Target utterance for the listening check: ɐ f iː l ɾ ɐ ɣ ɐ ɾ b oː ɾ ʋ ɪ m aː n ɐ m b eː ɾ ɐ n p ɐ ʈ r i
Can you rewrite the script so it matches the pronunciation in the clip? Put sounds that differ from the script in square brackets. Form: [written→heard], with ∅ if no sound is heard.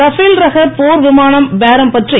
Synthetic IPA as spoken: ɐ f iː l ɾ ɐ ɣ ɐ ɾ [b→p] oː ɾ ʋ ɪ m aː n ɐ m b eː ɾ ɐ [n→m] p ɐ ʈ r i

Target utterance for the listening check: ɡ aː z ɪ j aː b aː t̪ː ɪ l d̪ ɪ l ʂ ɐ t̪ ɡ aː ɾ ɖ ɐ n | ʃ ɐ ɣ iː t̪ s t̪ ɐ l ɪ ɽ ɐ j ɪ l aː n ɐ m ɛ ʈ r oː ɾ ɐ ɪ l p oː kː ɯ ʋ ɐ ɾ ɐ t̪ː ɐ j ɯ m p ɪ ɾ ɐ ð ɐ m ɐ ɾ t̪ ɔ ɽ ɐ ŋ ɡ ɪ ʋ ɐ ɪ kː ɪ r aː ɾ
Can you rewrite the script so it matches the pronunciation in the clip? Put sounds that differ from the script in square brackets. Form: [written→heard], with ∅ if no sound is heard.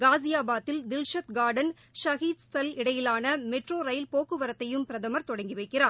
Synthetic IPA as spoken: ɡ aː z ɪ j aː b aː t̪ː ɪ l d̪ ɪ l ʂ ɐ t̪ ɡ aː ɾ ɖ ɐ n | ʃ ɐ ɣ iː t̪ s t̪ ɐ l ɪ ɽ ɐ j ɪ l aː n ɐ m ɛ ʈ r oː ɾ ɐ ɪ l p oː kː ɯ ʋ ɐ ɾ ɐ t̪ː ɐ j ɯ m p ɪ ɾ ɐ ð ɐ m ɐ ɾ t̪ ɔ ɽ ɐ ŋ ɡ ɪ ʋ ɐ ɪ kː ɪ r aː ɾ

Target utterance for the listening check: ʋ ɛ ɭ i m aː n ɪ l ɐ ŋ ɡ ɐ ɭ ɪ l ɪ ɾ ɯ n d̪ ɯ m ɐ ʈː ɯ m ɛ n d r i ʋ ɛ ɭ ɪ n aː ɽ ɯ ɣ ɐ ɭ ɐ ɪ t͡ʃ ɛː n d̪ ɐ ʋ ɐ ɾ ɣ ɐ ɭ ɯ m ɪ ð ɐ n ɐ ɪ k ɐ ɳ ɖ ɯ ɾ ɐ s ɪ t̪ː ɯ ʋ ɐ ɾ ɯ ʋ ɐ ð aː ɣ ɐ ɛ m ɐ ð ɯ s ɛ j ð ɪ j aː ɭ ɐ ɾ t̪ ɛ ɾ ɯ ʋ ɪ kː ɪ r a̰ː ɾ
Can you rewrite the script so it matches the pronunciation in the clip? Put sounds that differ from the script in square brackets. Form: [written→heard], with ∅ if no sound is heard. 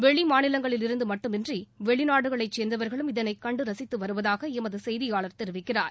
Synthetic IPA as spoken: ʋ ɛ ɭ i m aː n ɪ l ɐ ŋ ɡ ɐ ɭ ɪ l ɪ ɾ ɯ n d̪ ɯ m ɐ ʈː ɯ m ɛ n d r i ʋ ɛ ɭ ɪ n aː ɽ ɯ ɣ ɐ ɭ ɐ ɪ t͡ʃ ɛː n d̪ ɐ ʋ ɐ ɾ ɣ ɐ ɭ ɯ m ɪ ð ɐ n ɐ ɪ k ɐ ɳ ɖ ɯ ɾ ɐ s ɪ t̪ː ɯ ʋ ɐ ɾ ɯ ʋ ɐ ð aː ɣ ɐ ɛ m ɐ ð ɯ s ɛ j ð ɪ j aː ɭ ɐ ɾ t̪ ɛ ɾ ɯ ʋ ɪ kː ɪ r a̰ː ɾ

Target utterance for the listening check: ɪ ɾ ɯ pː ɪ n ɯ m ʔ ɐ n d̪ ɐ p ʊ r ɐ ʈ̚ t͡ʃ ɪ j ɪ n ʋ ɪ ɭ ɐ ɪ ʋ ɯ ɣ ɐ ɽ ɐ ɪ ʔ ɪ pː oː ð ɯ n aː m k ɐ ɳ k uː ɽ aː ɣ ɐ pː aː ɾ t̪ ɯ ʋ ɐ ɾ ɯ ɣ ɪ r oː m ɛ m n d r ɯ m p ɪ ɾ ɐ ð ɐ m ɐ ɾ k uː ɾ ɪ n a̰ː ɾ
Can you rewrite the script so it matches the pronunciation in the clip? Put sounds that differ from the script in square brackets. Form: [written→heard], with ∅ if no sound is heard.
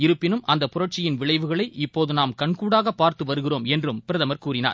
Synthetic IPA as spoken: ɪ ɾ ɯ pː ɪ n ɯ m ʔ ɐ n d̪ ɐ p ʊ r ɐ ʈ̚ t͡ʃ ɪ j ɪ n ʋ ɪ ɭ ɐ ɪ ʋ ɯ ɣ ɐ [ɽ→ɭ] ɐ ɪ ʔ ɪ pː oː ð ɯ n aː m k ɐ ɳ k uː ɽ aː ɣ ɐ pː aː ɾ t̪ ɯ ʋ ɐ ɾ ɯ ɣ ɪ r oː m ɛ [m→∅] n d r ɯ m p ɪ ɾ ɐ ð ɐ m ɐ ɾ k uː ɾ ɪ n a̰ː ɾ

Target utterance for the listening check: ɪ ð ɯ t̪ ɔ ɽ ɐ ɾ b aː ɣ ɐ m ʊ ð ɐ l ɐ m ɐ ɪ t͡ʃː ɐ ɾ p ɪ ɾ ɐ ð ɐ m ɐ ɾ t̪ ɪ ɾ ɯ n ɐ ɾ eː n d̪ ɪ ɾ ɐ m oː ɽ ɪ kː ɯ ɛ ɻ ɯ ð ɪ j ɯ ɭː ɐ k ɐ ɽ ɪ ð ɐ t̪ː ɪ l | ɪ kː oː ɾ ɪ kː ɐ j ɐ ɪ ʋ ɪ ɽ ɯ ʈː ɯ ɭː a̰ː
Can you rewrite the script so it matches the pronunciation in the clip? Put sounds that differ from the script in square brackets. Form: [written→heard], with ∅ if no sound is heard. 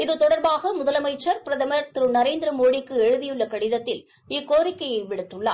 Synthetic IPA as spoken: ɪ ð ɯ t̪ ɔ ɽ ɐ ɾ b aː ɣ ɐ m ʊ ð ɐ l ɐ m ɐ ɪ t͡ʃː ɐ ɾ p ɪ ɾ ɐ ð ɐ m ɐ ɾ t̪ ɪ ɾ ɯ n ɐ ɾ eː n d̪ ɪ ɾ ɐ m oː ɽ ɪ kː ɯ ɛ ɻ ɯ ð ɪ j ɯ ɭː ɐ k ɐ ɽ ɪ ð ɐ t̪ː ɪ l | ɪ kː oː ɾ ɪ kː ɐ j ɐ ɪ ʋ ɪ ɽ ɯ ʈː ɯ ɭː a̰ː

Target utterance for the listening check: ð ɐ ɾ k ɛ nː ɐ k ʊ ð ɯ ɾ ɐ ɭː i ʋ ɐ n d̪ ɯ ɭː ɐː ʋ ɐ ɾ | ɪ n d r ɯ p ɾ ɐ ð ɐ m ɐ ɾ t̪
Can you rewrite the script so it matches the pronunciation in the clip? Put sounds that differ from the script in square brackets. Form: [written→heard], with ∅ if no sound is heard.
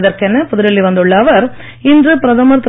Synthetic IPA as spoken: ð ɐ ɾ k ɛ nː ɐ [k→p] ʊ ð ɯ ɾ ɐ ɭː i ʋ ɐ n d̪ ɯ ɭː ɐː ʋ ɐ ɾ | ɪ n d r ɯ p ɾ ɐ ð ɐ m ɐ ɾ t̪

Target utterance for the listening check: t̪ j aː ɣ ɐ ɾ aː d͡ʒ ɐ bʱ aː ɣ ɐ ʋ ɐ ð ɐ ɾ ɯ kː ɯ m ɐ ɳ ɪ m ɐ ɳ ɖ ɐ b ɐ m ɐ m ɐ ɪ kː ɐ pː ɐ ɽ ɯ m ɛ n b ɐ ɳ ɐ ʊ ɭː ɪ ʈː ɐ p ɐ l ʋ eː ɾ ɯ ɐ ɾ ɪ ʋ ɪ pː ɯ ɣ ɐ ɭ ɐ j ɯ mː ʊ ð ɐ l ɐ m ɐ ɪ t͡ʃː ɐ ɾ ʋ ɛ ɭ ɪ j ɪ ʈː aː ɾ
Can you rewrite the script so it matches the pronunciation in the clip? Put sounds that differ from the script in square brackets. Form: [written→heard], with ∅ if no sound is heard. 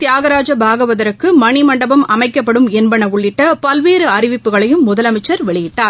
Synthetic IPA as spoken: t̪ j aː ɣ ɐ ɾ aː d͡ʒ ɐ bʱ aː ɣ ɐ ʋ ɐ ð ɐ ɾ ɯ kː ɯ m ɐ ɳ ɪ m ɐ ɳ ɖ ɐ b ɐ m ɐ m ɐ ɪ kː ɐ pː ɐ ɽ ɯ m ɛ n b ɐ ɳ ɐ ʊ ɭː ɪ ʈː ɐ p ɐ l ʋ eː ɾ ɯ ɐ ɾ ɪ ʋ ɪ pː ɯ ɣ ɐ ɭ ɐ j ɯ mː ʊ ð ɐ l ɐ m ɐ ɪ t͡ʃː ɐ ɾ ʋ ɛ ɭ ɪ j ɪ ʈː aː ɾ

